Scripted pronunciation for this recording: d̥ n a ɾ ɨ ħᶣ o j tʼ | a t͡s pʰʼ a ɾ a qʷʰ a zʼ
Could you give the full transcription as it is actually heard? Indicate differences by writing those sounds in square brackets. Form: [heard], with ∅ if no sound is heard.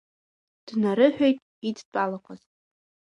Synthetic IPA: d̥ n a ɾ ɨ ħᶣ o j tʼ | [i] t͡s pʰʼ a [l] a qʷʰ a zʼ